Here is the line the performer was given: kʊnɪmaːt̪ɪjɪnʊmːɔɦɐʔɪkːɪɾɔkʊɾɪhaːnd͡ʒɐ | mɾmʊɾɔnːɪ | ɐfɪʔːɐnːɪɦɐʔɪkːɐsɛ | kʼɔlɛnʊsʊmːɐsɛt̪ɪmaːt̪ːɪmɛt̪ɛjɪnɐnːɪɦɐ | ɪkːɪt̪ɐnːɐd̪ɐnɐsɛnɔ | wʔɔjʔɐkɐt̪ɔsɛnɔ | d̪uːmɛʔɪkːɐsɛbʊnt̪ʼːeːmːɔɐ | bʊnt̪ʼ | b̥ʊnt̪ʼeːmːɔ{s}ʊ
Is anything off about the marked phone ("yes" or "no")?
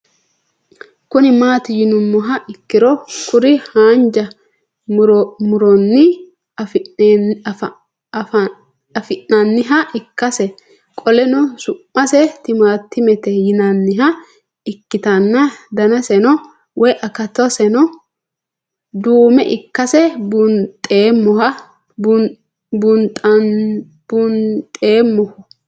yes